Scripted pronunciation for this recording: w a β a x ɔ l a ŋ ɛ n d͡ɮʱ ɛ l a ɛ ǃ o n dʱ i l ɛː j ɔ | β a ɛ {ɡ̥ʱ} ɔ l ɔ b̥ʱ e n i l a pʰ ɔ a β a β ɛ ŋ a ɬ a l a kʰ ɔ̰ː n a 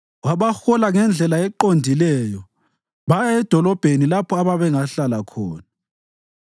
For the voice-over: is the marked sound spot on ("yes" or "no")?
no